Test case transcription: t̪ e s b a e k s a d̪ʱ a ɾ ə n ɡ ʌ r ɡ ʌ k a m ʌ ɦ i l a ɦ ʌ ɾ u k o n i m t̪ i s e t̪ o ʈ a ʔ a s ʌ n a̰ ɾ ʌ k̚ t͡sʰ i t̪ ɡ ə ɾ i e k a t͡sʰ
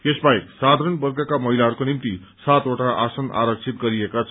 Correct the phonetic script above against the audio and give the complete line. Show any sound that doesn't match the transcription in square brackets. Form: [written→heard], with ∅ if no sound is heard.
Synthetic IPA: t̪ e s b a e k s a d̪ʱ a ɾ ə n [ɡ→b] ʌ r ɡ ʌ k a m ʌ ɦ i l a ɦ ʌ ɾ u k o n i m t̪ i s [e→a] t̪ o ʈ a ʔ a s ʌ n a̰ ɾ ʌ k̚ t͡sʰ i t̪ ɡ [ə→ʌ] ɾ i e k a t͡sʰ